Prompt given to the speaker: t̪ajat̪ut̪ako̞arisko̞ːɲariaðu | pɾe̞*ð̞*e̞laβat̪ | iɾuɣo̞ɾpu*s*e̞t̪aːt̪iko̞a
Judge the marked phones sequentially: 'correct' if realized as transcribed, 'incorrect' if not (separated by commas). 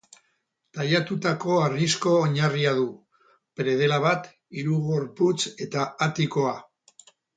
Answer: correct, incorrect